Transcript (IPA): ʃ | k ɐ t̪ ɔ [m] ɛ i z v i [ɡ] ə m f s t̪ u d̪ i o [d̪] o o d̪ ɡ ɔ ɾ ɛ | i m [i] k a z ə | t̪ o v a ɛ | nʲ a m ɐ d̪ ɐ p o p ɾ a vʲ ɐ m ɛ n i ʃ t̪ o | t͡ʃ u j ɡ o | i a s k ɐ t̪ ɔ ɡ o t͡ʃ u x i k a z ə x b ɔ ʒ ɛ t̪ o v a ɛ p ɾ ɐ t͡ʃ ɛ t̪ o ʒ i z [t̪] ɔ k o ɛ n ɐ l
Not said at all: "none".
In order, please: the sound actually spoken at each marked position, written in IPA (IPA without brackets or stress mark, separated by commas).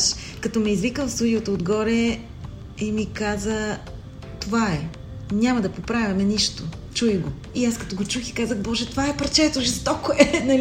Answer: m, k, t̪, i, t̪